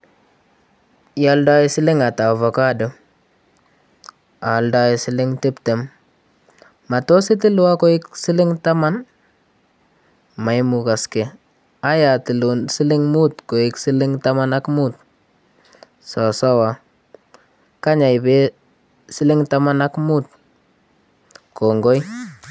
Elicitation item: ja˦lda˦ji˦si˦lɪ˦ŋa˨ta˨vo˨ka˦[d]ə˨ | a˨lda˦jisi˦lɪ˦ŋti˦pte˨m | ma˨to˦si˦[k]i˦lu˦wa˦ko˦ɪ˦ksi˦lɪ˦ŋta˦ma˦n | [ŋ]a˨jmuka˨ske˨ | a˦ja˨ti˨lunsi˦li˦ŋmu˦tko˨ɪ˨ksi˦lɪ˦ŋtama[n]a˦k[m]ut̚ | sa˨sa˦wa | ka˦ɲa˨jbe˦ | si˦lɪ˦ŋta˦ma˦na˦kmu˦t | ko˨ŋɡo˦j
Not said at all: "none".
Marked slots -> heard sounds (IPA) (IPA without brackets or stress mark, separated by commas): d, t, m, n, m